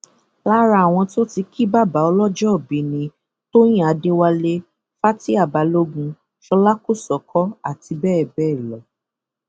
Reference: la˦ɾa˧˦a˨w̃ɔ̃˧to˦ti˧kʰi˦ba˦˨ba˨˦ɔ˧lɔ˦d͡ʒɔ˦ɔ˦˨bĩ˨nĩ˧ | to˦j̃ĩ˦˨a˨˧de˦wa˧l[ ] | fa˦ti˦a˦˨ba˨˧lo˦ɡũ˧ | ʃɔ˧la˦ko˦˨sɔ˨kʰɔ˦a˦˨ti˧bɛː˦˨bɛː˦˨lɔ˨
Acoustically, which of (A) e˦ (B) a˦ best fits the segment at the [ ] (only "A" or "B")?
A